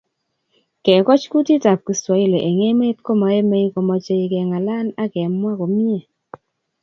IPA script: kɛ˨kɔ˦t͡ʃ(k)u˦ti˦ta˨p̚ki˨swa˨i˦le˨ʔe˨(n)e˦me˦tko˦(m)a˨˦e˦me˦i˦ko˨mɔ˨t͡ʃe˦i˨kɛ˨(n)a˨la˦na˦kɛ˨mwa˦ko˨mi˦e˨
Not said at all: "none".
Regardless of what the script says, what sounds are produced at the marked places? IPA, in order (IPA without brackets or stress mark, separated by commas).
k, ŋ, m, ŋ